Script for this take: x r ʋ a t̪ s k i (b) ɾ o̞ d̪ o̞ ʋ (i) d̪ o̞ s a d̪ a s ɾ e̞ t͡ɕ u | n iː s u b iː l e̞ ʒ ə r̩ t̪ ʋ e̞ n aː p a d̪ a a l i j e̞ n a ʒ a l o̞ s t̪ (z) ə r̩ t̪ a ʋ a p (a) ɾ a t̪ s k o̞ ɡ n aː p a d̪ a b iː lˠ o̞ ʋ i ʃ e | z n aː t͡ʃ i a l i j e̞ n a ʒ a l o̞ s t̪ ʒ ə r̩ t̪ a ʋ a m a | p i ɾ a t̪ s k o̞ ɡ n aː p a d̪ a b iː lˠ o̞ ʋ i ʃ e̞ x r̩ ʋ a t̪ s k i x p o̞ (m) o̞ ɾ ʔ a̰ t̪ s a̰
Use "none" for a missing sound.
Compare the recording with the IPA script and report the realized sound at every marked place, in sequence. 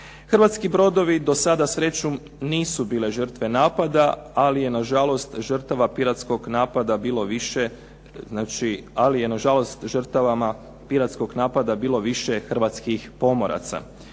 b, i, ʒ, i, m

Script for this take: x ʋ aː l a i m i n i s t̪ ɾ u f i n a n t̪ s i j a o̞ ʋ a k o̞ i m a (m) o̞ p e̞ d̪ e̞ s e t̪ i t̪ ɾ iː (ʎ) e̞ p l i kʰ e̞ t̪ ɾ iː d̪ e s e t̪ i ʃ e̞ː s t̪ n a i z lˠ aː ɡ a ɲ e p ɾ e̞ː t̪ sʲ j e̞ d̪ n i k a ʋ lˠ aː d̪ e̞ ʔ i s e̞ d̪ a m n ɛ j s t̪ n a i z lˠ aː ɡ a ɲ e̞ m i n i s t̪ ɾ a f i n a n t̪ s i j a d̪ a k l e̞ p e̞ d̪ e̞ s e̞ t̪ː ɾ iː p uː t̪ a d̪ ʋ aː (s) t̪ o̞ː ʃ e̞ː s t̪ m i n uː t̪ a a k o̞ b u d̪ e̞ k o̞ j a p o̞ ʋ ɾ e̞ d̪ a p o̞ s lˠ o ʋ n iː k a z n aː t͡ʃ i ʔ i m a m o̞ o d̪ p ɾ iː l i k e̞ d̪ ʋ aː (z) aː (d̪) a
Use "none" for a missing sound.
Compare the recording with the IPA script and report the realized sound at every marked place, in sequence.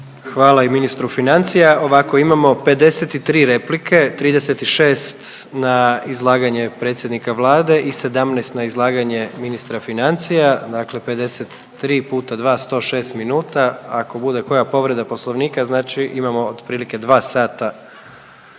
m, ɾ, s, s, t̪

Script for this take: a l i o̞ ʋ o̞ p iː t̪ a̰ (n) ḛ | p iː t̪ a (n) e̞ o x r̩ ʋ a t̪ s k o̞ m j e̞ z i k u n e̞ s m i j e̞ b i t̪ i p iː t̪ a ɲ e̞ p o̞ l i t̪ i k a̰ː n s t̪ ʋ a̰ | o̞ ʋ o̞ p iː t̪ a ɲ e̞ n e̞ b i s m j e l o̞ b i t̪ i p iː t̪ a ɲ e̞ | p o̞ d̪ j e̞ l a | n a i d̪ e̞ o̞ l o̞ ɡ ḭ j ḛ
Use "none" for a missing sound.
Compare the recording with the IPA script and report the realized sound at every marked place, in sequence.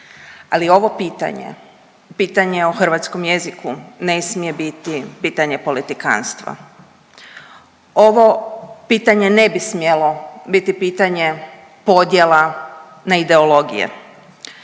ɲ, ɲ

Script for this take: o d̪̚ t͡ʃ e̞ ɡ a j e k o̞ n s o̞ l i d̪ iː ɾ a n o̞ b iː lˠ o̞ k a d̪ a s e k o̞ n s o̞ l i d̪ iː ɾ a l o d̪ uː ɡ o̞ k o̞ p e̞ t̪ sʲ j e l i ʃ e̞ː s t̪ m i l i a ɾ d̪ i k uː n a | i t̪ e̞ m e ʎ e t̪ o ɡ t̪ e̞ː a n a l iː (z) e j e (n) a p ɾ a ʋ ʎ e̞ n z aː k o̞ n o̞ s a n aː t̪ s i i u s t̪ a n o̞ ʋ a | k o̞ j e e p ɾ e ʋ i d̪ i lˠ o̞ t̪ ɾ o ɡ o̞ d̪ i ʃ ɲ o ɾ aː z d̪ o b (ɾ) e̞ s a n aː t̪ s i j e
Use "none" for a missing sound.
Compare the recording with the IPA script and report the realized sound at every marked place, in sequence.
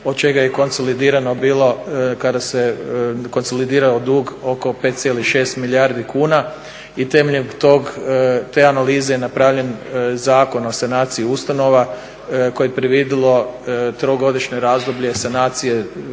z, n, ʎ

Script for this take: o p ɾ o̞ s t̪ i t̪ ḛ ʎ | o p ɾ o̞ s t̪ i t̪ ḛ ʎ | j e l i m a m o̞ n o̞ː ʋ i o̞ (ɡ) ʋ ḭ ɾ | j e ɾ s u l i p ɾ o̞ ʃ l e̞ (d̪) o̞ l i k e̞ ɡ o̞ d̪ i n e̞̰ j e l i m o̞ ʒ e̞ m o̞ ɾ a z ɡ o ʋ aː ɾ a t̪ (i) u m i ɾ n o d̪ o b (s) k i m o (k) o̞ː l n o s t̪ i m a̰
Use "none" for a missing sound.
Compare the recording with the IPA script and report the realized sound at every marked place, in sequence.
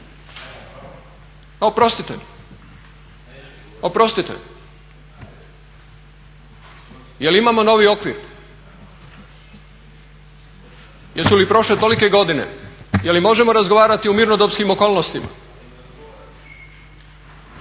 k, t̪, i, s, k

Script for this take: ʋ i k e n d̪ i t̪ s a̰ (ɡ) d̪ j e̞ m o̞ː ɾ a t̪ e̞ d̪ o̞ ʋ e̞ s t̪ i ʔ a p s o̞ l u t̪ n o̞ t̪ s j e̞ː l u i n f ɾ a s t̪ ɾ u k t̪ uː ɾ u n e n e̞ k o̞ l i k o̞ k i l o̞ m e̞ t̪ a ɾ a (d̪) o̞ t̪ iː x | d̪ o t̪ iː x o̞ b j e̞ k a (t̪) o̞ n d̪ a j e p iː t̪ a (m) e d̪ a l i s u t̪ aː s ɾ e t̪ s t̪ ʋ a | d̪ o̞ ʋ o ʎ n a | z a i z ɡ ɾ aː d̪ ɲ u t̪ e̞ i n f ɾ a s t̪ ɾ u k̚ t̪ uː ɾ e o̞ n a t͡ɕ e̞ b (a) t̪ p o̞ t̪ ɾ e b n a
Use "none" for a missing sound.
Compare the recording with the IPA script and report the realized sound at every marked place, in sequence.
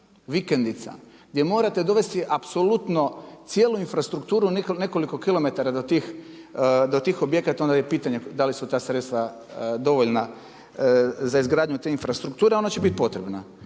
ɡ, d̪, t̪, ɲ, i

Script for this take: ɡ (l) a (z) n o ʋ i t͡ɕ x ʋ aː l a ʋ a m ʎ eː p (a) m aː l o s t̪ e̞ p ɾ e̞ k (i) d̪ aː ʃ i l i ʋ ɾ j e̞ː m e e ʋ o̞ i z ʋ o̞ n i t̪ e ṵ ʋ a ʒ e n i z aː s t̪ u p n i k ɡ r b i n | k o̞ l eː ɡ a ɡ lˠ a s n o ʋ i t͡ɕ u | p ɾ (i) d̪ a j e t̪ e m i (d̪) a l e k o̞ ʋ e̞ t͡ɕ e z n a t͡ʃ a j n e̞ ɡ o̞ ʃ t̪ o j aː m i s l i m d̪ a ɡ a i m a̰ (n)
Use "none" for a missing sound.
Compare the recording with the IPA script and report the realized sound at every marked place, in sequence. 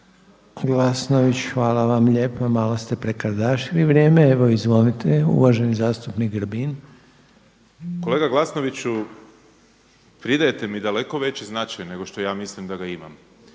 l, s, a, a, i, d̪, m

